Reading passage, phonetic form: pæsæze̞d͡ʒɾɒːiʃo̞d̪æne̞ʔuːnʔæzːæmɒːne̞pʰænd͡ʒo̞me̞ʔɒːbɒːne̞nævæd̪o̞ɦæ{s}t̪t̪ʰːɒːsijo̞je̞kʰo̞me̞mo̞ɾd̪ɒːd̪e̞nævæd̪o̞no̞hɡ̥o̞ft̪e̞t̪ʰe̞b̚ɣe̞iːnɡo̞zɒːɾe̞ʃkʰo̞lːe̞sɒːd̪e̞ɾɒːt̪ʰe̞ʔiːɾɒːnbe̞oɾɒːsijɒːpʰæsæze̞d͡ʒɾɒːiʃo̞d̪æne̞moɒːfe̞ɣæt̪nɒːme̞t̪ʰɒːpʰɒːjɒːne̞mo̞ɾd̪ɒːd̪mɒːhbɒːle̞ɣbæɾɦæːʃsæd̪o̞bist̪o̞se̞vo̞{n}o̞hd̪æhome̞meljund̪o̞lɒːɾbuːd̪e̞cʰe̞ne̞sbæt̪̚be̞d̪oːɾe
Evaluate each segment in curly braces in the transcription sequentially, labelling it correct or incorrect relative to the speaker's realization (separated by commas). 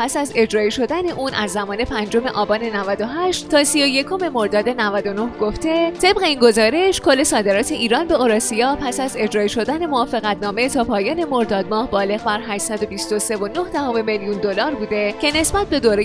incorrect, correct